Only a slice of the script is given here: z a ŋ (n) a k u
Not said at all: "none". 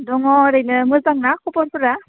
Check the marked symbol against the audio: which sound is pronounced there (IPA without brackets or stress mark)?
n